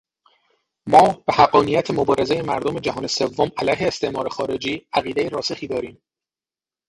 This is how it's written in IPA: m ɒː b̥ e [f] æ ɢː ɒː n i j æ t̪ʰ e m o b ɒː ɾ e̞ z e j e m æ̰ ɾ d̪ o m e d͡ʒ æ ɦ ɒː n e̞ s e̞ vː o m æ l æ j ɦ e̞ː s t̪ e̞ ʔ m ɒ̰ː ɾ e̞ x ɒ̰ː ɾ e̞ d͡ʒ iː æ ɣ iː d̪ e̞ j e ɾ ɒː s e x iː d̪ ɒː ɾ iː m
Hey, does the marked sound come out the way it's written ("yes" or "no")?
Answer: no